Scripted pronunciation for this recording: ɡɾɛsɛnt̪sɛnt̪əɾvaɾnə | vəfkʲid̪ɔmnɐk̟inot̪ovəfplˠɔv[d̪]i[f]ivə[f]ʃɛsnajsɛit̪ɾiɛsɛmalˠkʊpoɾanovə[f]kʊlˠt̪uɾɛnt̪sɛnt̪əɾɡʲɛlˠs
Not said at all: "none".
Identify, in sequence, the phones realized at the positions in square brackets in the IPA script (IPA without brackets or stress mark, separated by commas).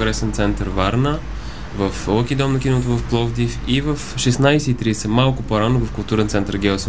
d̪, f, f, f